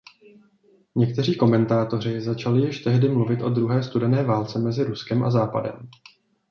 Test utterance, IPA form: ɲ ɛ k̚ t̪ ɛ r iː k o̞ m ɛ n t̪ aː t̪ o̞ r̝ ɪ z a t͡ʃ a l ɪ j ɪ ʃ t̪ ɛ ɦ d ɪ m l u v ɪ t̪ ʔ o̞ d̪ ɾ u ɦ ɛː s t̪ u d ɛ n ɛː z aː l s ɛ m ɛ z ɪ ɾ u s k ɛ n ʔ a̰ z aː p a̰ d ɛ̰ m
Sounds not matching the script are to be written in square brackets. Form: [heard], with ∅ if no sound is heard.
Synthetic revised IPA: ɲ ɛ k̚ t̪ ɛ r iː k o̞ m ɛ n t̪ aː t̪ o̞ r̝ ɪ z a t͡ʃ a l ɪ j ɪ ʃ t̪ ɛ ɦ d ɪ m l u v ɪ t̪ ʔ o̞ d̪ ɾ u ɦ ɛː s t̪ u d ɛ n ɛː [v] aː l [t͡s] ɛ m ɛ z ɪ ɾ u s k ɛ [m] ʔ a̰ z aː p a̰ d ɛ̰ m

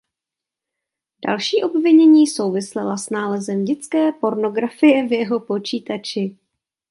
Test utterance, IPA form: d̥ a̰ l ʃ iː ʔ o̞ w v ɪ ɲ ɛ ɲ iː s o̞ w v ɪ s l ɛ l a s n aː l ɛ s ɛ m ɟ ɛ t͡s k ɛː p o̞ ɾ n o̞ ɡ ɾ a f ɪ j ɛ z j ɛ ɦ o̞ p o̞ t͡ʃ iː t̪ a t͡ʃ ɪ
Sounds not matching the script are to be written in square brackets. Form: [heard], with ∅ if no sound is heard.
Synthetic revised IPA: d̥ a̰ l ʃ iː ʔ o̞ [b] v ɪ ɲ ɛ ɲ iː s o̞ w v ɪ s l ɛ l a s n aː l ɛ [z] ɛ m ɟ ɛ t͡s k ɛː p o̞ ɾ n o̞ ɡ ɾ a f ɪ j ɛ [v] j ɛ ɦ o̞ p o̞ t͡ʃ iː t̪ a t͡ʃ ɪ

